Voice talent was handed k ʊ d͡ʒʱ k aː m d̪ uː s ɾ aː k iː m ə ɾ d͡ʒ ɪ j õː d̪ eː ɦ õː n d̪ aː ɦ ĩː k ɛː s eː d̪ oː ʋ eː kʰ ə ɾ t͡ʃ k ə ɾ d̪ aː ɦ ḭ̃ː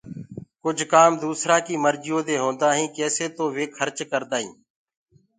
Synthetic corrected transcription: k ʊ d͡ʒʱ k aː m d̪ uː s ɾ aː k iː m ə ɾ d͡ʒ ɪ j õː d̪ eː ɦ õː n d̪ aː ɦ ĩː k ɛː s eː t̪ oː ʋ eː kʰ ə ɾ t͡ʃ k ə ɾ d̪ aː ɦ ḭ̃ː